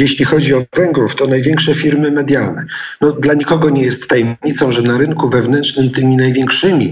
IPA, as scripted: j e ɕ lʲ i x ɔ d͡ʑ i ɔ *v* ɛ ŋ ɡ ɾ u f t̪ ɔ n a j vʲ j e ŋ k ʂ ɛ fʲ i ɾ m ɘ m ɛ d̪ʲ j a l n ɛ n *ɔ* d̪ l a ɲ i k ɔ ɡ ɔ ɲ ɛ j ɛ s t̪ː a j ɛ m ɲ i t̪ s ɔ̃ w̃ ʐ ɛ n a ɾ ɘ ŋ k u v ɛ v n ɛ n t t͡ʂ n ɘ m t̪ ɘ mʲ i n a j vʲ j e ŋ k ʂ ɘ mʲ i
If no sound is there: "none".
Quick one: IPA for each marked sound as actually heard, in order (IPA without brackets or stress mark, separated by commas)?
v, ɔ